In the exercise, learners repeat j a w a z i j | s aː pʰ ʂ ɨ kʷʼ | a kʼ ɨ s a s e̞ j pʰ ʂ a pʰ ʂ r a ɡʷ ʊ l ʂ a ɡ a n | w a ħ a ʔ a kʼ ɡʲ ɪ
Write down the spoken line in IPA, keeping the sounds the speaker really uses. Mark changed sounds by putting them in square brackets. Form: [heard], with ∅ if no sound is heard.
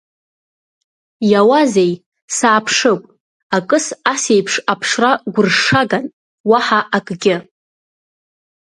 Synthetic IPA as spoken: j a w a z [e] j | s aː pʰ ʂ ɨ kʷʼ | a kʼ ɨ s a s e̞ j pʰ ʂ a pʰ ʂ r a ɡʷ ʊ [r] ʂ a ɡ a n | w a ħ a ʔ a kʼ ɡʲ ɪ